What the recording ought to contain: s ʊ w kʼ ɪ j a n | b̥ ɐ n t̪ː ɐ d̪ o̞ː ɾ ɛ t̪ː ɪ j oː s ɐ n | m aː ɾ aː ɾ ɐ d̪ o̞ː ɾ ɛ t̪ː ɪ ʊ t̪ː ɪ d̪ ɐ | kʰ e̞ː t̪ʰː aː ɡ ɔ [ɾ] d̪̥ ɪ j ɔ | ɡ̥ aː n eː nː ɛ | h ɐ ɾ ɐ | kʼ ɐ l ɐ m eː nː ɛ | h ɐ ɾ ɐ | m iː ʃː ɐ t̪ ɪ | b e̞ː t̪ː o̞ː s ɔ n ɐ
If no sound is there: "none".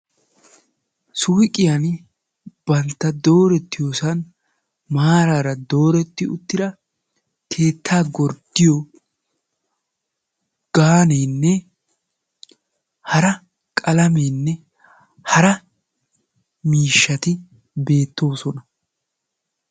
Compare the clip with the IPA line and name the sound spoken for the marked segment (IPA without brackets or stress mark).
ɾ